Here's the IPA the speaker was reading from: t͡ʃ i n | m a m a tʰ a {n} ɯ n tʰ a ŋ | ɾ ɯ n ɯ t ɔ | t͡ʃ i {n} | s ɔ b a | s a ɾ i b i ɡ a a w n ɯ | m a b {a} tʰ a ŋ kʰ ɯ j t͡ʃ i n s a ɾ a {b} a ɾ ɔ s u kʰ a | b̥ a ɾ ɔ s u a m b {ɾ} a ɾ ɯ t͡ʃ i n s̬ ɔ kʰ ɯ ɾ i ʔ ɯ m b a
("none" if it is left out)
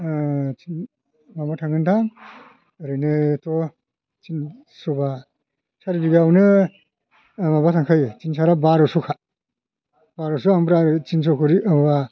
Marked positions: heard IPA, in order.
ŋ, n, a, b, ɾ

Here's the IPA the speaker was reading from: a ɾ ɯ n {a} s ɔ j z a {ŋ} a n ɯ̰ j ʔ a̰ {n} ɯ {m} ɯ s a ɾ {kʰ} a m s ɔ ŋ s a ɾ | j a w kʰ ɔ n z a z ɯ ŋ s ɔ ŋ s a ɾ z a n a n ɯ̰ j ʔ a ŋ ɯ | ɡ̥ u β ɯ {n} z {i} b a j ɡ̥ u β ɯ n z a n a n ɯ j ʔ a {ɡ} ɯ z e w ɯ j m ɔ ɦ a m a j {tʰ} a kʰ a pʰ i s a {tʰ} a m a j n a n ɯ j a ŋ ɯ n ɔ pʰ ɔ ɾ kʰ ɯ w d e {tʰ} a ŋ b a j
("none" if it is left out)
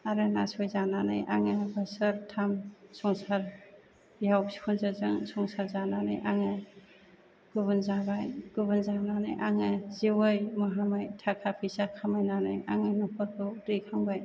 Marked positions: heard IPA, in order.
a, n, ŋ, b, tʰ, n, a, ŋ, tʰ, kʰ, kʰ

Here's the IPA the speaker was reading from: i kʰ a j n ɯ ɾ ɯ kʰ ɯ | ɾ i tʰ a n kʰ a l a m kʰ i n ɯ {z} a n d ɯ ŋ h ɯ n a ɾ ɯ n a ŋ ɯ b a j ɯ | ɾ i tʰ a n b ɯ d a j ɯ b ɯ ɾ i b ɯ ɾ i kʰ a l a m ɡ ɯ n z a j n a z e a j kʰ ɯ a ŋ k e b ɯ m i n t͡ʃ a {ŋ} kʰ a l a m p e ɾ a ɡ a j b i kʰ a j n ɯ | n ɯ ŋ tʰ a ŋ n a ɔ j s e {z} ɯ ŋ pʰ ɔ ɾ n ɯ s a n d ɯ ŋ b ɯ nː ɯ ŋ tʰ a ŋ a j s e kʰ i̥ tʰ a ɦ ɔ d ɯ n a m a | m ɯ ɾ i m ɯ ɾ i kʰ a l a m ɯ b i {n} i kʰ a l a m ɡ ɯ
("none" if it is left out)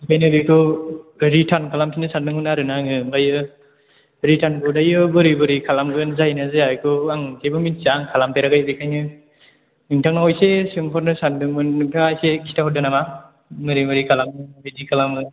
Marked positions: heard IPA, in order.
s, ŋ, s, d

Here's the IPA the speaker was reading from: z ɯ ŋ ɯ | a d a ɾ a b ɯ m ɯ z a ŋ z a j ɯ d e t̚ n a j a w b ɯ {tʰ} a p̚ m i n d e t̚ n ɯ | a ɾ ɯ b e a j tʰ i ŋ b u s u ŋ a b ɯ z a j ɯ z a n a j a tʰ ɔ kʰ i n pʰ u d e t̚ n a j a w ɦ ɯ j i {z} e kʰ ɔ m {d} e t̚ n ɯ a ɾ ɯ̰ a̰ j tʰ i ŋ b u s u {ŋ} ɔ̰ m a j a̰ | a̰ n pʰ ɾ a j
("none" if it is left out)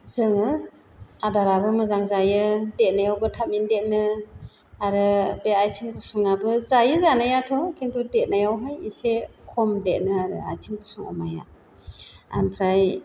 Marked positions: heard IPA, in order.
tʰ, s, d, ŋ

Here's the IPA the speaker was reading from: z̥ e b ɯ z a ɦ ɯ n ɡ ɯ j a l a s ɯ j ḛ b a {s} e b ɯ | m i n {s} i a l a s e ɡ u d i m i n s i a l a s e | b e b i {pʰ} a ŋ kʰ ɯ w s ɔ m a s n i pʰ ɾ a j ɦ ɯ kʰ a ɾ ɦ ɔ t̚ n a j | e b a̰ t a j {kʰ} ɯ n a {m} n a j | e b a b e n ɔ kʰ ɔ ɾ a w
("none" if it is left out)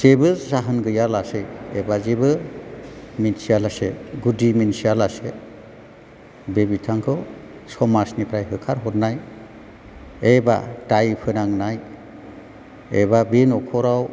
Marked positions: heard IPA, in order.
z, s, tʰ, pʰ, ŋ

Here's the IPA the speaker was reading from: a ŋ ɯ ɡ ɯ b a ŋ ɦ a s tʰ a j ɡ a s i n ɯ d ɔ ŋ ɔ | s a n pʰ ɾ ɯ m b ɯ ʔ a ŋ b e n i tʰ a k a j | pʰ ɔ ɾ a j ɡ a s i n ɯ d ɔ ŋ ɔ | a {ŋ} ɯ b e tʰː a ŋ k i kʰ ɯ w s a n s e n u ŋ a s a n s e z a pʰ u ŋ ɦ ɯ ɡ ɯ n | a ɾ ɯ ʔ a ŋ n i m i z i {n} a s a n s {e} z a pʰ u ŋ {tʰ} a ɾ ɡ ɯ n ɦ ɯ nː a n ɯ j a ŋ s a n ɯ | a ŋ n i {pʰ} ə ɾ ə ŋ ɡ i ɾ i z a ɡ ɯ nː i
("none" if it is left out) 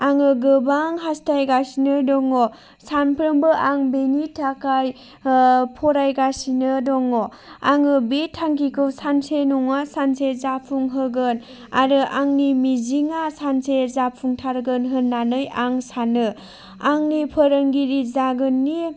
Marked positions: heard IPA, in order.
ŋ, ŋ, e, tʰ, pʰ

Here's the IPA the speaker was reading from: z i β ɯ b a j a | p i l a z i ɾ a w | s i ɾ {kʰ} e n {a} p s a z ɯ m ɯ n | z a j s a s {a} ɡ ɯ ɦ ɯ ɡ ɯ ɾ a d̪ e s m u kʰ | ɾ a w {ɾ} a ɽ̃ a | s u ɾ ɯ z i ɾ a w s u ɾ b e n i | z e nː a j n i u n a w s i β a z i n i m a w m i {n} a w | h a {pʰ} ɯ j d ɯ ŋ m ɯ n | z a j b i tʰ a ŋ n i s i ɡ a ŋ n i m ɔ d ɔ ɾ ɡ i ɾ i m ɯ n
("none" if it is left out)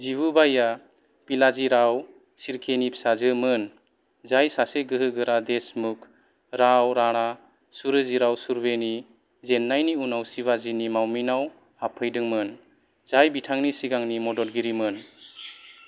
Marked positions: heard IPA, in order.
kʰ, i, e, ɾ, n, pʰ

